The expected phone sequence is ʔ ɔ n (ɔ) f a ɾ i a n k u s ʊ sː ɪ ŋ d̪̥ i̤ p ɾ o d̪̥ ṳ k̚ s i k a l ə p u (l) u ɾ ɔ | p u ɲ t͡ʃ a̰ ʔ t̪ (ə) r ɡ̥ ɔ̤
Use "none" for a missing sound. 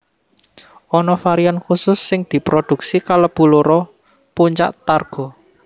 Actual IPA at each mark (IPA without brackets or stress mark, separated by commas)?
ɔ, l, a